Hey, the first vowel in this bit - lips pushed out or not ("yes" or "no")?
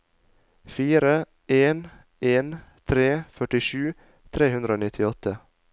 no